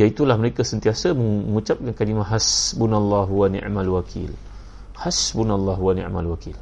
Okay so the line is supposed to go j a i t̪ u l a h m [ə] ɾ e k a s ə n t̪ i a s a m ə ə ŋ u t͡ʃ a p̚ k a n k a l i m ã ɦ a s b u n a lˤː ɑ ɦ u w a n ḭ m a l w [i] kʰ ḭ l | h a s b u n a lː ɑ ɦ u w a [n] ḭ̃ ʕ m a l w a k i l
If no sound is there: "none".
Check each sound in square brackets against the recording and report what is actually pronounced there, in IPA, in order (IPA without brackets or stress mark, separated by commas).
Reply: ə, a, n